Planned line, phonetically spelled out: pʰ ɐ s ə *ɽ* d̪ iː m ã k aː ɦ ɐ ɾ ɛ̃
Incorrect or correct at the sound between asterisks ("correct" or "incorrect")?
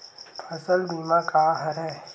incorrect